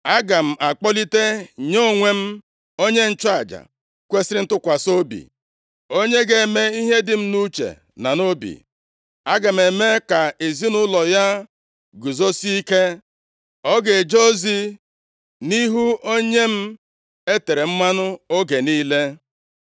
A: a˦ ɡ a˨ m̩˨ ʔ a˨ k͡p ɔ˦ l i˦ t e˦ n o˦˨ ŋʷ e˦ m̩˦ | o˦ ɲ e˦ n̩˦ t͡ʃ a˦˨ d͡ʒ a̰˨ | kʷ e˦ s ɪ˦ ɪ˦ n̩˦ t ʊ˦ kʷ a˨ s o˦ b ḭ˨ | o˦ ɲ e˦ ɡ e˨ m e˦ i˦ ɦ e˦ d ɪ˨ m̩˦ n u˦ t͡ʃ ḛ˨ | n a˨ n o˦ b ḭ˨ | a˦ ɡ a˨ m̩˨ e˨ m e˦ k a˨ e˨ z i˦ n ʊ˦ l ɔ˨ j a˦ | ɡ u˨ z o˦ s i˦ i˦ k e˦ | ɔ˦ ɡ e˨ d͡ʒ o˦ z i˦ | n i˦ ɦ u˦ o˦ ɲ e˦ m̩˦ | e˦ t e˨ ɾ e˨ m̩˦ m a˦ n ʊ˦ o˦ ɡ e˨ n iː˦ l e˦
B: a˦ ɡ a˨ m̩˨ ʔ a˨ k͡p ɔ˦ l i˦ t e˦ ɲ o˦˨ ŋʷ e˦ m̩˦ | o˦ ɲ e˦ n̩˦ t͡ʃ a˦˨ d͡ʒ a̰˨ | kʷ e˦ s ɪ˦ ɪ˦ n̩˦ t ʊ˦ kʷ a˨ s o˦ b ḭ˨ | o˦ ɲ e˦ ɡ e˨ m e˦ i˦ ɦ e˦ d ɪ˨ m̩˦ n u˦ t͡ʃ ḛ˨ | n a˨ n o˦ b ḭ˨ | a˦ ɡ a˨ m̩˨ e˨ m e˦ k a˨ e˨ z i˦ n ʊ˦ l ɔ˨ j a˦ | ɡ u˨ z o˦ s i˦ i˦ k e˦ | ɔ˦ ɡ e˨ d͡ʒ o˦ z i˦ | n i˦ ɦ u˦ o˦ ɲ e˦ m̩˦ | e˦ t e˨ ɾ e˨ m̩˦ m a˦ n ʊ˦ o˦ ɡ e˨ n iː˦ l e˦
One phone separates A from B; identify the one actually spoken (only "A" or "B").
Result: B